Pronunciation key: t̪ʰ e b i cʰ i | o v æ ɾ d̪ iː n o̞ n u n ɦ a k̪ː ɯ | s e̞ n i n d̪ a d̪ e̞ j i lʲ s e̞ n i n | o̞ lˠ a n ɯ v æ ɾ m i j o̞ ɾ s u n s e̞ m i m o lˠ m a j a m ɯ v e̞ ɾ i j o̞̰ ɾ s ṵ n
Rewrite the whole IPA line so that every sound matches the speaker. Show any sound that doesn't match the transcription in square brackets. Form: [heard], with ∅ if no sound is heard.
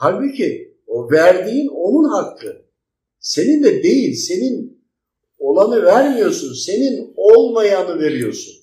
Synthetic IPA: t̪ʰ [a] b i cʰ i | o v æ ɾ d̪ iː n o̞ n u n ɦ a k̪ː ɯ | s e̞ n i n d̪ [ɛ] d̪ e̞ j i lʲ s e̞ n i n | o̞ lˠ a n ɯ v æ ɾ m i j o̞ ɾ s u n s e̞ [n] i [n] o lˠ m a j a [n] ɯ v e̞ ɾ i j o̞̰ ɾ s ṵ n